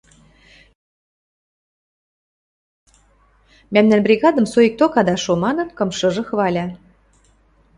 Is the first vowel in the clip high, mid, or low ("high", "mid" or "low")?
low